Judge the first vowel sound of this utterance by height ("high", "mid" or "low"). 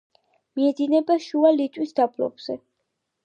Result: high